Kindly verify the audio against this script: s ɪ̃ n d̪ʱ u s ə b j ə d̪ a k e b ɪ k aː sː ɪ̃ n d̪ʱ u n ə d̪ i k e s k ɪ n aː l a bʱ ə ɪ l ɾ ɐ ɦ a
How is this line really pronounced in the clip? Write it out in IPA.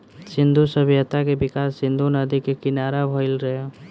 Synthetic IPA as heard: s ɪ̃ n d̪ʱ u s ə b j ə t̪ a k e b ɪ k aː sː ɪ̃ n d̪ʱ u n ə d̪ i k e k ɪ n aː ɾ a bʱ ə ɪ l ɾ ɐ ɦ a